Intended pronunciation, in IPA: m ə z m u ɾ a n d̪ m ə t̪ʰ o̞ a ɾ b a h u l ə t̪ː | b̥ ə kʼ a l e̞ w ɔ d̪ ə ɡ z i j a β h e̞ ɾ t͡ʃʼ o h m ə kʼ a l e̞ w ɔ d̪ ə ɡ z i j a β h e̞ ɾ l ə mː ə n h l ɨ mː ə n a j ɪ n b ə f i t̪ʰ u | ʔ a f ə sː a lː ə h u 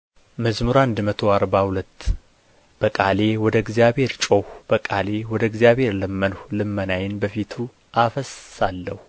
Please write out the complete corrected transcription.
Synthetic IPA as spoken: m ə z m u ɾ a n d̪ m ə t̪ʰ o̞ a ɾ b a h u l ə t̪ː | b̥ ə kʼ a l e̞ w ɔ d̪ ə ɡ z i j a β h e̞ ɾ t͡ʃʼ o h b ə kʼ a l e̞ w ɔ d̪ ə ɡ z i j a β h e̞ ɾ l ə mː ə n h l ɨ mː ə n a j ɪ n b ə f i t̪ʰ u | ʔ a f ə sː a lː ə h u